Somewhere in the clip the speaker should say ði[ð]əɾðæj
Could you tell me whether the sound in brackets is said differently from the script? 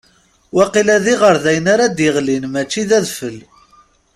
yes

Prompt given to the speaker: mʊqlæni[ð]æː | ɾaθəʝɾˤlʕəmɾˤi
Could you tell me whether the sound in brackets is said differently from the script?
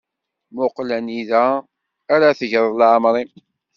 no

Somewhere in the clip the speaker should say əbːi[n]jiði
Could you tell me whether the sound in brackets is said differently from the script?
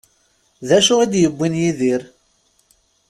no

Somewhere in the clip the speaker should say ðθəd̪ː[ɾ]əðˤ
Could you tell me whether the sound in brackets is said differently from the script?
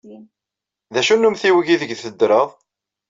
no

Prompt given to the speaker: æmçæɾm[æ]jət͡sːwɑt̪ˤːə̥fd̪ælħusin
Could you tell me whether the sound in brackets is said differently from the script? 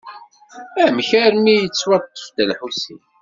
yes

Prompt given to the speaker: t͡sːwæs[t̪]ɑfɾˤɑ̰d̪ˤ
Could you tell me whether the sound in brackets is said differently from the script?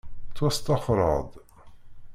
no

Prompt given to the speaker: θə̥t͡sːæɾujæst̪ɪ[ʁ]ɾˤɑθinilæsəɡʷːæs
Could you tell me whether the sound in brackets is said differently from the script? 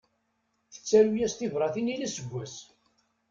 yes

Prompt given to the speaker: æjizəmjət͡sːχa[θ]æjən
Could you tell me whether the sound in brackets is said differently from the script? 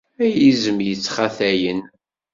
no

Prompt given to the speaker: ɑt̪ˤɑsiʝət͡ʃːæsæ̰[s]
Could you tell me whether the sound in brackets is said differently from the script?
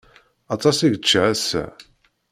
yes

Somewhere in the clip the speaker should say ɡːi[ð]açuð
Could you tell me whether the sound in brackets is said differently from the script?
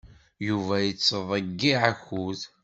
yes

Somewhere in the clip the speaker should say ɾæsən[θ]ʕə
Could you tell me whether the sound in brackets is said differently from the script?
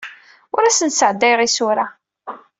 yes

